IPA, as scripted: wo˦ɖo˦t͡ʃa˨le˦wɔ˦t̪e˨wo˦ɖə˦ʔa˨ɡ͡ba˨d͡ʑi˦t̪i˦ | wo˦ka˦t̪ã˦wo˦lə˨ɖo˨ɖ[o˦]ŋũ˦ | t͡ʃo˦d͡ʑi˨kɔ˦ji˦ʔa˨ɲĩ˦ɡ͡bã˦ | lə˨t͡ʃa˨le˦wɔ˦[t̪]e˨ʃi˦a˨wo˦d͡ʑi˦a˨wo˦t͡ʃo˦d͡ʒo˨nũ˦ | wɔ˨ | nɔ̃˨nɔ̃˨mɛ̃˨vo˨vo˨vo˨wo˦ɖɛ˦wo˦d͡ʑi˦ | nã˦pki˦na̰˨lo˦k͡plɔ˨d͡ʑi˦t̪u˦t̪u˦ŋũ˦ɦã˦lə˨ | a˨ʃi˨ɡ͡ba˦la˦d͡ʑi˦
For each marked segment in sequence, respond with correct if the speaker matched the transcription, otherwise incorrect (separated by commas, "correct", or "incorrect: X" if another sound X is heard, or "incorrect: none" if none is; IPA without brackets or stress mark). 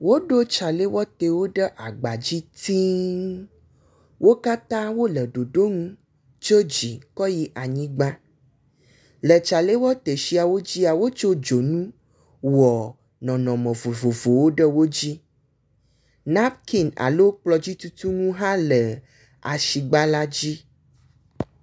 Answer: correct, correct